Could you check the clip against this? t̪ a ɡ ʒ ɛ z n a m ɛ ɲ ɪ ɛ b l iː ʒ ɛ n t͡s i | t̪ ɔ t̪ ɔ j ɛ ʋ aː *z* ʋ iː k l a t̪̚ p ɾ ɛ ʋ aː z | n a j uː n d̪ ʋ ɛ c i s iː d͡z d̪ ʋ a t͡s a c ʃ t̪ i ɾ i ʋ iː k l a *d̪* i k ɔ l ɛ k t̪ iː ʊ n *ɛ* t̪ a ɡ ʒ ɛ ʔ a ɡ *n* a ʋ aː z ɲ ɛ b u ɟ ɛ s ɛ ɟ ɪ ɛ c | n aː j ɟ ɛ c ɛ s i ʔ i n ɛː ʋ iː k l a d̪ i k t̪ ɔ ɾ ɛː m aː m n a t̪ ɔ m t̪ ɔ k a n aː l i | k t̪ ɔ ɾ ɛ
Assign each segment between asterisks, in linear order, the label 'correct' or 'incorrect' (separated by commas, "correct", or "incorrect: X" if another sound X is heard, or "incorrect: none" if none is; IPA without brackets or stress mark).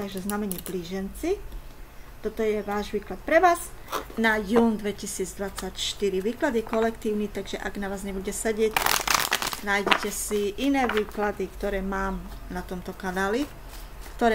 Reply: incorrect: ʒ, correct, incorrect: i, correct